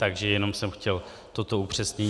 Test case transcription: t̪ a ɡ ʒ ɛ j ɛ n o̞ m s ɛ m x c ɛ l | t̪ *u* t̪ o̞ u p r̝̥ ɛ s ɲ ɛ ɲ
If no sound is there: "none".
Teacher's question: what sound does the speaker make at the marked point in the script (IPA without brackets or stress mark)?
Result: o